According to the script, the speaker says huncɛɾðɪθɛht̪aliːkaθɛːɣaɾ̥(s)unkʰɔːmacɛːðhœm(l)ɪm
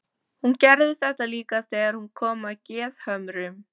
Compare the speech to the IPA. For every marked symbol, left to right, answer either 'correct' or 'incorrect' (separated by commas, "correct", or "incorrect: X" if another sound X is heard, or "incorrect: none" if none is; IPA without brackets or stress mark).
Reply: incorrect: h, incorrect: ɾ